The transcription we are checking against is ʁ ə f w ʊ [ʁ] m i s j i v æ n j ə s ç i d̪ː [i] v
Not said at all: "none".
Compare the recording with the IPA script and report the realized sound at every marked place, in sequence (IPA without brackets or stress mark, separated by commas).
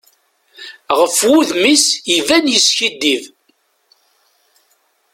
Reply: ð, i